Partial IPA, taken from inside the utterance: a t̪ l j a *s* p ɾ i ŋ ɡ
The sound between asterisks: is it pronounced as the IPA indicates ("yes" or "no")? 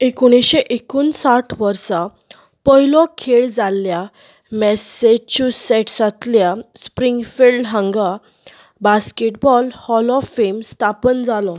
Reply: yes